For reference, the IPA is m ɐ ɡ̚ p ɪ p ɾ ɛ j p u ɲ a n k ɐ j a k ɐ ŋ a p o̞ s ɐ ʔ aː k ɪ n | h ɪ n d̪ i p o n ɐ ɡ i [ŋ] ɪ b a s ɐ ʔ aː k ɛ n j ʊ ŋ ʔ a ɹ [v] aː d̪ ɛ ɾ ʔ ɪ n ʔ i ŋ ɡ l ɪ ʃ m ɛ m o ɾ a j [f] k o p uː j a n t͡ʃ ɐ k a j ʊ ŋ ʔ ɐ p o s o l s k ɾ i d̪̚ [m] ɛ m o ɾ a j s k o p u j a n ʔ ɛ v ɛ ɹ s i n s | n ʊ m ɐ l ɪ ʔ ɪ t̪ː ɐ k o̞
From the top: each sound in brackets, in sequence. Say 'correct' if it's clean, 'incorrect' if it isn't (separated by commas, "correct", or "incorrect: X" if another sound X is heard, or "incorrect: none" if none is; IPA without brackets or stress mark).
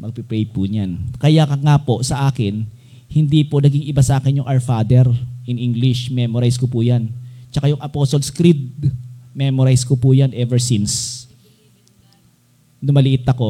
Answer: correct, incorrect: f, incorrect: s, correct